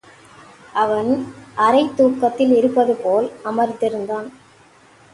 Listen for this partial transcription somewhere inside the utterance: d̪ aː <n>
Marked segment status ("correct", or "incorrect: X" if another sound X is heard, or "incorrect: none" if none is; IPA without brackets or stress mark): correct